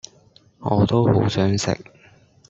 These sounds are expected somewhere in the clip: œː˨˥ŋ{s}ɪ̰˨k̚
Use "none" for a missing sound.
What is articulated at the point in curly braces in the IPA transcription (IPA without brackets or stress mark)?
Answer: s